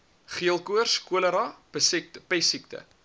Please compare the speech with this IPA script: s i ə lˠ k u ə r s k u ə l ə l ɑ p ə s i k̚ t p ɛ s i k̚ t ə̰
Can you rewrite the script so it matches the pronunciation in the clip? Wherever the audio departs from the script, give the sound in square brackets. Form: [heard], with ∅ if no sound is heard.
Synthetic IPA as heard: [χ] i ə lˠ k u ə r s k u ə l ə [ɾ] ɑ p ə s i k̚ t p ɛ s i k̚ t ə̰